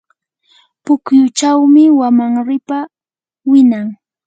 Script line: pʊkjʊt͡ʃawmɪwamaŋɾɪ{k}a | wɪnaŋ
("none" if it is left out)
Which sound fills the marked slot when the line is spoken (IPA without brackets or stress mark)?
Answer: p